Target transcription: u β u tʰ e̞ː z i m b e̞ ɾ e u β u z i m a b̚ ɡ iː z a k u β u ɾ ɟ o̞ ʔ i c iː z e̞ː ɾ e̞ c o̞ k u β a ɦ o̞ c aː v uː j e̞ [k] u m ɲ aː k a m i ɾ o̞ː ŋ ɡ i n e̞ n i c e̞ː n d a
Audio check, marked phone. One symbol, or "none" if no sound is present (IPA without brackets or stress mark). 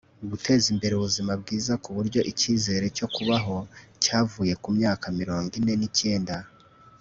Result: k